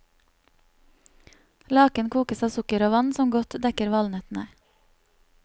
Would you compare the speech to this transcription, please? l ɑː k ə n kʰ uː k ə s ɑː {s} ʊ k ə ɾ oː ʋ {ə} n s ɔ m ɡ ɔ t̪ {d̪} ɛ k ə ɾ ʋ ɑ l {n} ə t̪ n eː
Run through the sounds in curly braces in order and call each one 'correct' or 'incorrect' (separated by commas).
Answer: correct, incorrect, correct, correct